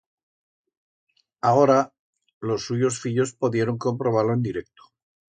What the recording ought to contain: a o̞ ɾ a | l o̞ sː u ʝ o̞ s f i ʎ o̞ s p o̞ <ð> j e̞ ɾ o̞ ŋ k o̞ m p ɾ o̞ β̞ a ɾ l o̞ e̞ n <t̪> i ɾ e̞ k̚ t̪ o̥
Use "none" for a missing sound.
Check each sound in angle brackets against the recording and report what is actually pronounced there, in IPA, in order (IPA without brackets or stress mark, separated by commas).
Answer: ð, d̪